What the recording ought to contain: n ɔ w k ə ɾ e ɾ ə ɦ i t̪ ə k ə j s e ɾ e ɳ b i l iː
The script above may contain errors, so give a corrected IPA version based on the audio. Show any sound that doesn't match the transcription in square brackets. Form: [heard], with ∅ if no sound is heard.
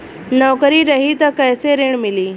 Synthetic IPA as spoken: n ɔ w k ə ɾ [i] ɾ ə ɦ i t̪ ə k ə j s e ɾ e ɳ [m] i l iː